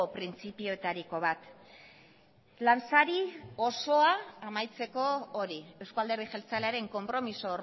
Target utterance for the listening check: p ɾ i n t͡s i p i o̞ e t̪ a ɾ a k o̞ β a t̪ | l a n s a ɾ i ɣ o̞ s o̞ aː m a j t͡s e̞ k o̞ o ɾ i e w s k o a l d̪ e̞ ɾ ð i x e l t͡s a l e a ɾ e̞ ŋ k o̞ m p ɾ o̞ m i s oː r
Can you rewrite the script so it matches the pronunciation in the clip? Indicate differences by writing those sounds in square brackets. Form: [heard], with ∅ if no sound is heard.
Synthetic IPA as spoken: p ɾ i n t͡s i p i o̞ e t̪ a ɾ [i] k o̞ β a t̪ | l a n s a ɾ i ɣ o̞ s o̞ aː m a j t͡s e̞ k o̞ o ɾ i e w s k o a l d̪ e̞ ɾ ð i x e l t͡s a l e a ɾ e̞ ŋ k o̞ m p ɾ o̞ m i s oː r